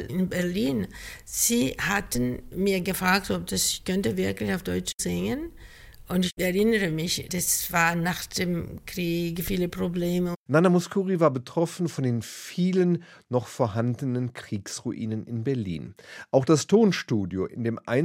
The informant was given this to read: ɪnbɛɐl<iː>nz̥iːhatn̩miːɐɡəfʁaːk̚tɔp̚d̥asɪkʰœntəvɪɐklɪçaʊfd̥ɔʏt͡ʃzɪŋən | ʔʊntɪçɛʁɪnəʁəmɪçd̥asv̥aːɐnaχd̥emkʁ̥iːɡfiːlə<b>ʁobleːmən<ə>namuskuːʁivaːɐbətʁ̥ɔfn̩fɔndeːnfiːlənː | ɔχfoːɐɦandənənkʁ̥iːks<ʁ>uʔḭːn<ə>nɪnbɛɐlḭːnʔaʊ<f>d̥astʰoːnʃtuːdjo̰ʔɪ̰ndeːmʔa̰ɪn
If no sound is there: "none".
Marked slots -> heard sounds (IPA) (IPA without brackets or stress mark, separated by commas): iː, p, a, ʁ, ə, x